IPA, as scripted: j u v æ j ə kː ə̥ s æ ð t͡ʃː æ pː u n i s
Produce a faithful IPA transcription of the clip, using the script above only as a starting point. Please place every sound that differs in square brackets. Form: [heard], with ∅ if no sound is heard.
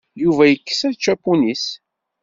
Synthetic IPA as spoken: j u v æ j ə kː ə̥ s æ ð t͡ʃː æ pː u n i s